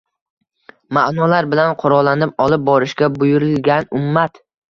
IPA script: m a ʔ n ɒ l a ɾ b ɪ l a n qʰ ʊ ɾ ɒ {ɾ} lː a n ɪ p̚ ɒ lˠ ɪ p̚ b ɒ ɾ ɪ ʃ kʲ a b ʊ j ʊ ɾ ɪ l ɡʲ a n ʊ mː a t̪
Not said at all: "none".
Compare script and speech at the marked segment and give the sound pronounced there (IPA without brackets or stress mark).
none